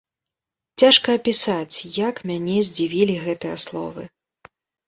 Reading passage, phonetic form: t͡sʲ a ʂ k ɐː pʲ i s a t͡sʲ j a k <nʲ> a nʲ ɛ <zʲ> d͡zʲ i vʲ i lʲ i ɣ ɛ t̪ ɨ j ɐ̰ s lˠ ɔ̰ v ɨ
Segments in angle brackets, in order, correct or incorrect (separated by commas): incorrect, correct